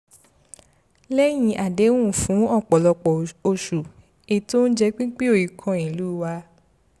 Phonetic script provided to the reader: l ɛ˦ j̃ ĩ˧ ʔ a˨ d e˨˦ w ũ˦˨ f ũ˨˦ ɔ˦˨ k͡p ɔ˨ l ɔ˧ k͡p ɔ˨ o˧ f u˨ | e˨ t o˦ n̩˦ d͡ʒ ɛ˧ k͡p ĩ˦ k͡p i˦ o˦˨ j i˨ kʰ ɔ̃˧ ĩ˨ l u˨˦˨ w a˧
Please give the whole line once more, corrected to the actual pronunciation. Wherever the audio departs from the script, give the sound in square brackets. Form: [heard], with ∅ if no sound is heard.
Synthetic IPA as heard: l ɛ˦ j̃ ĩ˧ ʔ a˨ d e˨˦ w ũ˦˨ f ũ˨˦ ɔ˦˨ k͡p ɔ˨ l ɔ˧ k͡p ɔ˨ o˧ [ʃ] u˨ | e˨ t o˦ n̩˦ d͡ʒ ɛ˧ k͡p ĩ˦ k͡p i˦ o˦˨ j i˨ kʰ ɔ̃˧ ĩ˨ l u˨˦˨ w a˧